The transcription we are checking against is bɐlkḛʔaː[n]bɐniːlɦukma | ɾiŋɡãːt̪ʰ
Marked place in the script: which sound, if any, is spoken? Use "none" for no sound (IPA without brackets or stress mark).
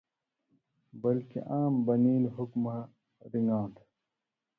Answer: m